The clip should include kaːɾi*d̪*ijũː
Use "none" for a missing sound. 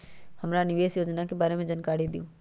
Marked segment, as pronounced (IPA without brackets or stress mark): d̪